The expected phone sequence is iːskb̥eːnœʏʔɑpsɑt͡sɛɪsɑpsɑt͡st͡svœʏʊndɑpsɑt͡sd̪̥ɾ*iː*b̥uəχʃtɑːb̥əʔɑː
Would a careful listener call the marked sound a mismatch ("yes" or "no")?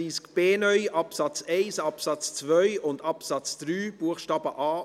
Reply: yes